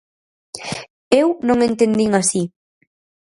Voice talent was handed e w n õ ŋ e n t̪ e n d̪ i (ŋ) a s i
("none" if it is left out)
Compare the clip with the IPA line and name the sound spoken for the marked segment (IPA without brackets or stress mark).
ŋ